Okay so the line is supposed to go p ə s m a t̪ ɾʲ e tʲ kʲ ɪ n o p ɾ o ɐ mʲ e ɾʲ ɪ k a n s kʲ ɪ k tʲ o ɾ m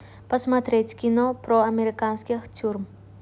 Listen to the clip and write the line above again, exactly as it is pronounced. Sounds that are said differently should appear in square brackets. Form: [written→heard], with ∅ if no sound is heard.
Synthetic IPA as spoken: p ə s m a t̪ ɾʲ e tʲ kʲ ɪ n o p ɾ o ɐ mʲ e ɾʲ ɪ k a n s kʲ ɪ [k→x] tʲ [o→u] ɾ m